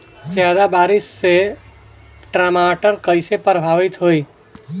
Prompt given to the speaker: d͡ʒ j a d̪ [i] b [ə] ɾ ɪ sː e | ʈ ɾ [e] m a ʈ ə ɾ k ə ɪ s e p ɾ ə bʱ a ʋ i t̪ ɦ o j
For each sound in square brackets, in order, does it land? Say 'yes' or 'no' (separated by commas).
no, no, no